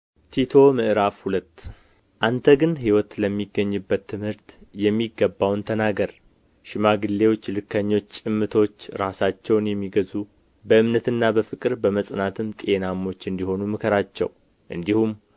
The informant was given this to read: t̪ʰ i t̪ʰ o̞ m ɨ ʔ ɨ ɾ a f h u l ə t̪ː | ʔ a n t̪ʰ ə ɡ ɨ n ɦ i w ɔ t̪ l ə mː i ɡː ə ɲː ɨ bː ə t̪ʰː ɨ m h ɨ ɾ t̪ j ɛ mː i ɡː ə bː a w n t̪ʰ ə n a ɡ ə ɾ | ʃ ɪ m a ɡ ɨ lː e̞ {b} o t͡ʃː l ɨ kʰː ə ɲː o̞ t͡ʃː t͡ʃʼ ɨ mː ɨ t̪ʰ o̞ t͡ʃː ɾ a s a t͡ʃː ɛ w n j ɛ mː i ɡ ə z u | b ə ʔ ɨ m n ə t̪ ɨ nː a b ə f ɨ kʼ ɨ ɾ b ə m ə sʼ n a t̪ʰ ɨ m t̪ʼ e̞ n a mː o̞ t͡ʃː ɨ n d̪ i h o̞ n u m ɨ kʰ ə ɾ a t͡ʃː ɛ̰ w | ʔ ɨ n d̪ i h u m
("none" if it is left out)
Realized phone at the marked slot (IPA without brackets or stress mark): w